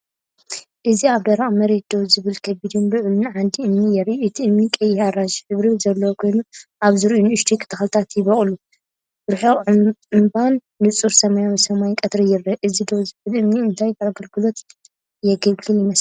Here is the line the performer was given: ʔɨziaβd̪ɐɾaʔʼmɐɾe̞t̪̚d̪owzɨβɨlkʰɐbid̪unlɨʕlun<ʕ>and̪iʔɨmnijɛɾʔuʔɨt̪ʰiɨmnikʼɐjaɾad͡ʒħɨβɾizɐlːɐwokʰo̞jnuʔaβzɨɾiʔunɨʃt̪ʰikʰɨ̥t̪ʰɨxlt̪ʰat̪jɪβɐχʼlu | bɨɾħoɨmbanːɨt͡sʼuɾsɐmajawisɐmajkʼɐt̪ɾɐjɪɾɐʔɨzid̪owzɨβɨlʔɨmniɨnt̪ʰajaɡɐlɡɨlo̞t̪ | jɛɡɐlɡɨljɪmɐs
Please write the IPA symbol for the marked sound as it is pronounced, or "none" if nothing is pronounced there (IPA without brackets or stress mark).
ʕ